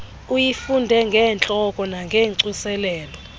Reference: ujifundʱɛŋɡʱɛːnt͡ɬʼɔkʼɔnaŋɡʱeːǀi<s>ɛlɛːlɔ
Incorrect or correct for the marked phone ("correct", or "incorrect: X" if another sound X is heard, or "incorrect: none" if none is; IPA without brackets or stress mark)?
correct